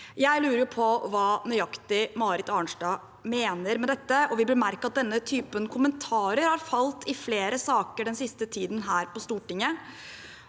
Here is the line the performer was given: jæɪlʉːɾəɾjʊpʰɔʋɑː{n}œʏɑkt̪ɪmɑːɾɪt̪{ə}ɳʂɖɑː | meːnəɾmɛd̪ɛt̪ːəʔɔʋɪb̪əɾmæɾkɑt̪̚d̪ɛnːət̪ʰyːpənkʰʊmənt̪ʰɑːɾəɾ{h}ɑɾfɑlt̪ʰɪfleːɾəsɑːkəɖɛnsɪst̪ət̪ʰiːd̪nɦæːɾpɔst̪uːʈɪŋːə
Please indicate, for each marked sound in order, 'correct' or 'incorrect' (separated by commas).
correct, incorrect, correct